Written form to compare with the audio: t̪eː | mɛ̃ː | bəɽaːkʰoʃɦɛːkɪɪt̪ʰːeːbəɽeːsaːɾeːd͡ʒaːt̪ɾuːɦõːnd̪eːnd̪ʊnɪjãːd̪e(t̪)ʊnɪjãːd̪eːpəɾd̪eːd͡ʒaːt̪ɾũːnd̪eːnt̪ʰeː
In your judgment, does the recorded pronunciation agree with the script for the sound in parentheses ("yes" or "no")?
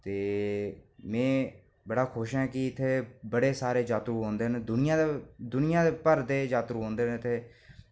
no